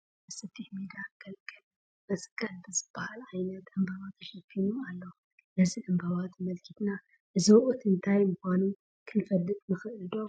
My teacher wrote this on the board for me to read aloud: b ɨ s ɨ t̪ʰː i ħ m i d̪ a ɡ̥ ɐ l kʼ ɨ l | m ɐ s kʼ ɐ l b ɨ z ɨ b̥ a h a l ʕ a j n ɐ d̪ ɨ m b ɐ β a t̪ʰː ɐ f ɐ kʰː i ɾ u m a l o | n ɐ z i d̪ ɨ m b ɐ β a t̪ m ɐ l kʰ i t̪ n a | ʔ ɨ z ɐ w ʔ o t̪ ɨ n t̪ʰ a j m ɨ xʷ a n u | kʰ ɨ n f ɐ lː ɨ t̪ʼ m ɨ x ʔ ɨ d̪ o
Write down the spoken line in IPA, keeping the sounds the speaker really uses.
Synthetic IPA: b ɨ s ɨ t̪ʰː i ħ m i d̪ a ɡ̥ ɐ l kʼ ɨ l | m ɐ s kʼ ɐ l b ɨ z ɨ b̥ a h a l ʕ a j n ɐ t̪ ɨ m b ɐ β a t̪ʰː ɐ ʃ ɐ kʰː i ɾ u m a lː o | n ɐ z i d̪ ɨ m b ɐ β a t̪ m ɐ l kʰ i t̪ n a | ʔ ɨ z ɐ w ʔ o t̪ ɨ n t̪ʰ a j m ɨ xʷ a n u | kʰ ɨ n f ɐ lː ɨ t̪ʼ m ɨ x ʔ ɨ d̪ o